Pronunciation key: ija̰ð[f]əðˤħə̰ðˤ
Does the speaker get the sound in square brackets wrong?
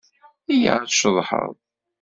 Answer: yes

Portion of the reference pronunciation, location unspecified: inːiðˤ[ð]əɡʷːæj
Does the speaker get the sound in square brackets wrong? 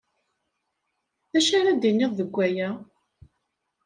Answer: no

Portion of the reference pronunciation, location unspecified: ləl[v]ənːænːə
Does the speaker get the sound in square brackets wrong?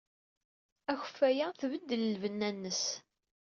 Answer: no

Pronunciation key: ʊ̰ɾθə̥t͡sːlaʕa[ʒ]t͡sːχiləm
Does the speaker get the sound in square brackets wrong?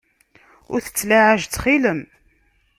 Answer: no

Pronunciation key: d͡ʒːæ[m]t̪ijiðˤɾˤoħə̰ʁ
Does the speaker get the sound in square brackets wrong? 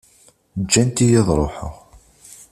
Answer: yes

